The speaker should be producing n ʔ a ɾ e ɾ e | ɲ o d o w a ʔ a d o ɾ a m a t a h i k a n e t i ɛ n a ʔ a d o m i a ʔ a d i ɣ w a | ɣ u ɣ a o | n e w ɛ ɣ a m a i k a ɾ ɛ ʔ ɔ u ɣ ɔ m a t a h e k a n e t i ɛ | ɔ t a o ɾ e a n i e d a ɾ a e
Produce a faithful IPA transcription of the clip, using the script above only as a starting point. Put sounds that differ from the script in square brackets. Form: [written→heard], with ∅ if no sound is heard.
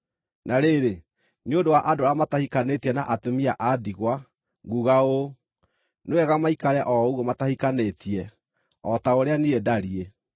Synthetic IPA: n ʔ a ɾ e ɾ e | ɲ o d o w a ʔ a d o ɾ a m a t a h i k a n e t i ɛ n a ʔ a [d→t] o m i a ʔ a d i ɣ w a | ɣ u ɣ a o | n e w ɛ ɣ a m a i k a ɾ ɛ ʔ ɔ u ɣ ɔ m a t a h [e→i] k a n e t i ɛ | ɔ t a o ɾ e a n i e d a ɾ [a→i] e

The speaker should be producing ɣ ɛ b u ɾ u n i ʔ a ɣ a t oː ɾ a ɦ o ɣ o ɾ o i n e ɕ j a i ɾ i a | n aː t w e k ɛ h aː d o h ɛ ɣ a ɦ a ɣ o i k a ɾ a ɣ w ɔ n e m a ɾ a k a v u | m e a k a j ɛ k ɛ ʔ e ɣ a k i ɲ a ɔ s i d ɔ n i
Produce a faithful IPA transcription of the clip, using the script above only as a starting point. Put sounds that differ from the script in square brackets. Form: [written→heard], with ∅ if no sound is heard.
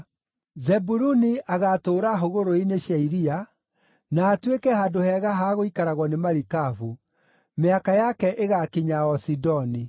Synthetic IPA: [ɣ→z] ɛ b u ɾ u n i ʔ a ɣ a t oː ɾ a ɦ o ɣ o ɾ o i n e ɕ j a i ɾ i a | n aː t w e k ɛ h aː d o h ɛ ɣ a ɦ a ɣ o i k a ɾ a ɣ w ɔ n e m a ɾ [a→i] k a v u | m e a k a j [ɛ→a] k ɛ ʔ e ɣ a k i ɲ a ɔ s i d ɔ n i

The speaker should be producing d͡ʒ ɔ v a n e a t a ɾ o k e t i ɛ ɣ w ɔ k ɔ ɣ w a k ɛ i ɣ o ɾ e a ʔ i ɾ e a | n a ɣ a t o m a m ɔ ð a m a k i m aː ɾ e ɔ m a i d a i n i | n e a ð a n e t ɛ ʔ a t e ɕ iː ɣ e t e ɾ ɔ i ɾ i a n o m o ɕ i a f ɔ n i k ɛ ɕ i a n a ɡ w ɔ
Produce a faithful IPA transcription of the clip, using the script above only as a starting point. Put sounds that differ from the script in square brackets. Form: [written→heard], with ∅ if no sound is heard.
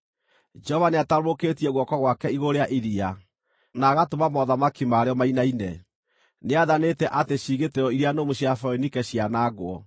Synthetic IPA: d͡ʒ ɔ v a n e a t a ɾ o k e t i ɛ ɣ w ɔ k ɔ ɣ w a k ɛ i ɣ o ɾ e a ʔ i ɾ [e→i] a | n a ɣ a t o m a m ɔ ð a m a k i m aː ɾ e ɔ m a i [d→n] a i n [i→ɛ] | n e a ð a n e t ɛ ʔ a t e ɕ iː ɣ e t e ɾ ɔ i ɾ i a n o m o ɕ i a f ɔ n i k ɛ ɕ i a n a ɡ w ɔ

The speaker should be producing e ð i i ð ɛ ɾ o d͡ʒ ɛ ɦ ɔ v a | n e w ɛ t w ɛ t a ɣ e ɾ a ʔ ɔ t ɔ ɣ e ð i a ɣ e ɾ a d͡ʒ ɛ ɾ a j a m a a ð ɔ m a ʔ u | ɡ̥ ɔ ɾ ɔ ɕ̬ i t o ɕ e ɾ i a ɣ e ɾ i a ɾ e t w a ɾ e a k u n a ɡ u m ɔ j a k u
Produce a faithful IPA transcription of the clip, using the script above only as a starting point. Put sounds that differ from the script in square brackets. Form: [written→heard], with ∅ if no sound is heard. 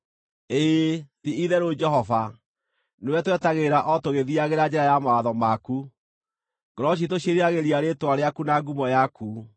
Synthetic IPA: e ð i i ð ɛ ɾ o d͡ʒ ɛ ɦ ɔ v a | n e w ɛ t w ɛ t a ɣ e ɾ a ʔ ɔ t [ɔ→o] ɣ e ð i a ɣ e ɾ a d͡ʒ ɛ ɾ a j a m a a ð ɔ m a [ʔ→k] u | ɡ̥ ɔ ɾ ɔ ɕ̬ i t o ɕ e ɾ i a ɣ e ɾ i a ɾ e t w a ɾ e a k u n a ɡ u m ɔ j a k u

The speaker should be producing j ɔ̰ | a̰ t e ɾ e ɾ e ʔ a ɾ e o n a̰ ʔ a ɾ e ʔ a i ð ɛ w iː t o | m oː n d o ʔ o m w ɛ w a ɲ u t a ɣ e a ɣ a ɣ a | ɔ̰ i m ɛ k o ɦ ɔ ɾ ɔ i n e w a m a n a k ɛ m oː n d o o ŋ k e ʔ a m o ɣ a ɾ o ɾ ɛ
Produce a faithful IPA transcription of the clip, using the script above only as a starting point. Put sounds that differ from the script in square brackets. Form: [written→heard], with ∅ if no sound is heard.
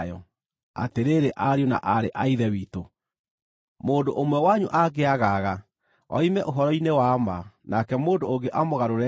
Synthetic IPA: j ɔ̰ | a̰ t e ɾ e ɾ e ʔ a ɾ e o n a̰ ʔ a ɾ e ʔ a i ð ɛ w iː t o | m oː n d o ʔ o m w ɛ w a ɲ u [t→ʔ] a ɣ e a ɣ a ɣ a | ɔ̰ i m ɛ [k→ʔ] o ɦ ɔ ɾ ɔ i n e w a m a n a k ɛ m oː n d o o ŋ [k→ɡ] e ʔ a m o ɣ a ɾ o ɾ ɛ

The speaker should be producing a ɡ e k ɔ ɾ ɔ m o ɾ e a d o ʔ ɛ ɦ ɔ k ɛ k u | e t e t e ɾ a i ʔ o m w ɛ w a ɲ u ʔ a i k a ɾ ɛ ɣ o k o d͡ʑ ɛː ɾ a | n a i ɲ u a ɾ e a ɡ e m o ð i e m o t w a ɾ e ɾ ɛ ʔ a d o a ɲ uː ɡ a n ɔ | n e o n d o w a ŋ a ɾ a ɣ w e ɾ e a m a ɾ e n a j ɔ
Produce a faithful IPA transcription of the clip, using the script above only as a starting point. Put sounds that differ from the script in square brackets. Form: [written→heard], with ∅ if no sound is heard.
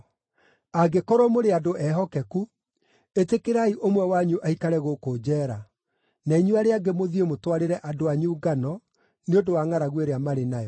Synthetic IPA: a ɡ e k ɔ ɾ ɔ m o ɾ e a d o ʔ ɛ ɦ ɔ k ɛ k u | e t e [t→k] e ɾ a i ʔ o m w ɛ w a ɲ u ʔ a i k a ɾ ɛ ɣ o k o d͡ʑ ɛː ɾ a | n a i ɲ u a ɾ e a ɡ e m o ð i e m o t w a ɾ e ɾ ɛ ʔ a d o a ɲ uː ɡ a n ɔ | n e o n d o w a ŋ a ɾ a ɣ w e ɾ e a m a ɾ e n a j ɔ

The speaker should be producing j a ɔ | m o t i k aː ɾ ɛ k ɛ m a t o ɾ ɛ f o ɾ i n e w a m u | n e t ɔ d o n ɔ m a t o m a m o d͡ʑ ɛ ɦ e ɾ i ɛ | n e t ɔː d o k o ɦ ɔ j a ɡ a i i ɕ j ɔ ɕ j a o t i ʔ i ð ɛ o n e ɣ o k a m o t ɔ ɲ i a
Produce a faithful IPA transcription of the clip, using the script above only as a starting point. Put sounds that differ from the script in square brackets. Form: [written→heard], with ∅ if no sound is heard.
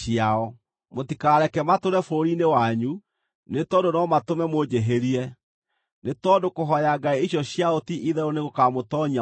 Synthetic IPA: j a ɔ | m o t i k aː ɾ ɛ k ɛ m a t o ɾ ɛ f o ɾ i n e w a [m→ɲ] u | n e t ɔ d o n ɔ m a t o m [a→ɛ] m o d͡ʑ [ɛ→e] ɦ e ɾ i ɛ | n e t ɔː d o k o ɦ ɔ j a ɡ a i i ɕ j ɔ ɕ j a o t i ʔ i ð ɛ o n e ɣ o k a m o t ɔ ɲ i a

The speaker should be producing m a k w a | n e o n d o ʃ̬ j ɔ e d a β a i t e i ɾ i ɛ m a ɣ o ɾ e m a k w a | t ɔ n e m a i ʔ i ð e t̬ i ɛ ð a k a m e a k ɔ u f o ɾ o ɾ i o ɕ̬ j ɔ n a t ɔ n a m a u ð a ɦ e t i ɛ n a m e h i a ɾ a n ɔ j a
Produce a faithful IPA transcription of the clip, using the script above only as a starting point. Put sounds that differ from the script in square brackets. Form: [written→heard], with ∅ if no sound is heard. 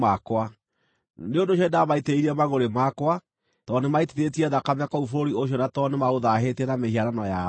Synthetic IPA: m a k w a | n e o n d o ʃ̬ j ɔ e d a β a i t e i ɾ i ɛ m a ɣ o ɾ e m a k w a | t ɔ n e m a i [ʔ→t] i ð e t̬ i ɛ ð a k a m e a k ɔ u f o ɾ o ɾ i o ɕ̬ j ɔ n a t ɔ n [a→e] m a [u→o] ð a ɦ e t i ɛ n a m e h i a ɾ a n ɔ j a

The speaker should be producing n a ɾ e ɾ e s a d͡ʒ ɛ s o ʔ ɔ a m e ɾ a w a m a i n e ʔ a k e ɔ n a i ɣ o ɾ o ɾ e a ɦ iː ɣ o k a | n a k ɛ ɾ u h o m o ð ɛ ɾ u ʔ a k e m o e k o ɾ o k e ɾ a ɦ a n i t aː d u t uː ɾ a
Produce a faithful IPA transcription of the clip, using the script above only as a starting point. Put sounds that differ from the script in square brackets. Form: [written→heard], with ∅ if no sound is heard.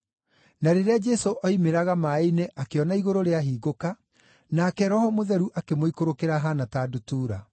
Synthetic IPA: n a ɾ e ɾ e [s→∅] a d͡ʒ ɛ s o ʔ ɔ [a→i] m e ɾ a [w→ɣ] a m a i n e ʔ a k e ɔ n a i ɣ o ɾ o ɾ e a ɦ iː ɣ o k a | n a k ɛ ɾ [u→ɔ] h [o→ɔ] m o ð ɛ ɾ u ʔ a k e m o [e→i] k o ɾ o k e ɾ a ɦ a n [i→a] t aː d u t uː ɾ a

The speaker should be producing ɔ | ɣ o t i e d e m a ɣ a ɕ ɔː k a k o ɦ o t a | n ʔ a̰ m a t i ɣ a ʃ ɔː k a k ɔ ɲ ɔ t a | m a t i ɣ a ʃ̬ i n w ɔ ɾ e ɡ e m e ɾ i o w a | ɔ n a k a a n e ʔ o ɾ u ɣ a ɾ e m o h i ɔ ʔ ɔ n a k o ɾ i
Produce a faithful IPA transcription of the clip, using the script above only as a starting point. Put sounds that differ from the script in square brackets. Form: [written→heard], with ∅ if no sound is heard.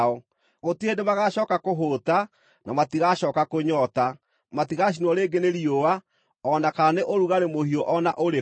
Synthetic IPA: ɔ | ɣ o t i e d e m a ɣ a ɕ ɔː k a k o ɦ o t a | n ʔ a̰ m a t i ɣ a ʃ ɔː k a k [ɔ→o] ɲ ɔ t a | m a t i ɣ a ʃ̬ i n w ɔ ɾ e ɡ e [m→n] e ɾ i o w a | ɔ n a k a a n e ʔ o ɾ u ɣ a ɾ e m o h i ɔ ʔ ɔ n a [k→ʔ] o ɾ [i→e]

